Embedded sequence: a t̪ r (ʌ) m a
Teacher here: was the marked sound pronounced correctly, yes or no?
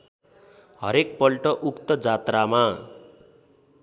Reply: no